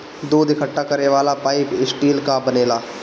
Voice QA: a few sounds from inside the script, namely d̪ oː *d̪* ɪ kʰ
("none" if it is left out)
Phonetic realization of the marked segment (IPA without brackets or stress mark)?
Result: d̪